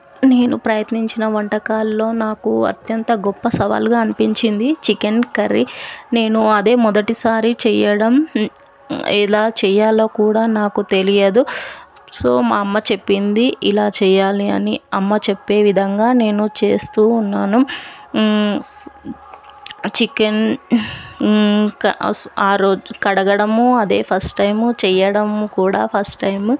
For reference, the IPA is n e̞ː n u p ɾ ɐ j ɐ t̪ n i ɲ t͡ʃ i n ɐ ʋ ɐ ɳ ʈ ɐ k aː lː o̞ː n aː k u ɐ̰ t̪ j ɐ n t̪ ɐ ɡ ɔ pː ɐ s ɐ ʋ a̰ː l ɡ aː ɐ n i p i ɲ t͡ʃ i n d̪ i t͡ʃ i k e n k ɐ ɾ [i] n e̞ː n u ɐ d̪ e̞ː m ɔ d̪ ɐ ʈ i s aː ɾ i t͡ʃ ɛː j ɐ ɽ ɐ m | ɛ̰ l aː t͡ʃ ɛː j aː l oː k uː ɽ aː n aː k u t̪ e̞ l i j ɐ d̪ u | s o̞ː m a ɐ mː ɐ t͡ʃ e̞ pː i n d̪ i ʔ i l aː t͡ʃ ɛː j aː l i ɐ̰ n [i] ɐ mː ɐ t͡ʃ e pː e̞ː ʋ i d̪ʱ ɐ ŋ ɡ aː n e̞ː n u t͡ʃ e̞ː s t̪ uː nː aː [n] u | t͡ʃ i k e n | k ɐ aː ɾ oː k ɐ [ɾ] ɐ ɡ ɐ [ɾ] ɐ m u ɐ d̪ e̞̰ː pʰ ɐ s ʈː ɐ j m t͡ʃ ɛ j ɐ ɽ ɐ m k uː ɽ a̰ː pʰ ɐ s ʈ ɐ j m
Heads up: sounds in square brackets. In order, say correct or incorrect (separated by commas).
correct, correct, correct, incorrect, incorrect